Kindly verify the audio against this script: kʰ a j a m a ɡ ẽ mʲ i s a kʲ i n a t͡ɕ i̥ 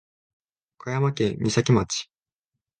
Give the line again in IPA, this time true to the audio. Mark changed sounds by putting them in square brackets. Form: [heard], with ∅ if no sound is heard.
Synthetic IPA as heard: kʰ a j a m a [k] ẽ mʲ i s a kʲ i [m] a t͡ɕ i̥